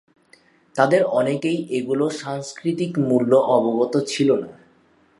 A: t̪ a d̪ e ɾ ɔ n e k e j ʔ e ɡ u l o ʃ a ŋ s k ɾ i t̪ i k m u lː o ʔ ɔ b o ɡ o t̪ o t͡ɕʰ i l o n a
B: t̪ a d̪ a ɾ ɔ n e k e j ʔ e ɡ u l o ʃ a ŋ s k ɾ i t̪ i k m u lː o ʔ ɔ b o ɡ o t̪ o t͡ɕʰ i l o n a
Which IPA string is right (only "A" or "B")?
A